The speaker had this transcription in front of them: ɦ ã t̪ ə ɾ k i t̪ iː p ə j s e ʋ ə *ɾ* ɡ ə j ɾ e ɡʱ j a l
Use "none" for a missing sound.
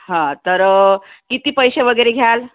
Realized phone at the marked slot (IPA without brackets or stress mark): none